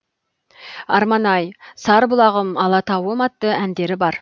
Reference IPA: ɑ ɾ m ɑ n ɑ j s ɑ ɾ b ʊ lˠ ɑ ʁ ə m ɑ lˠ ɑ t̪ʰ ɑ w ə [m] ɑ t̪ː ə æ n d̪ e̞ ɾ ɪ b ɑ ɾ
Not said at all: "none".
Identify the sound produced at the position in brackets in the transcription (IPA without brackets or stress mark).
m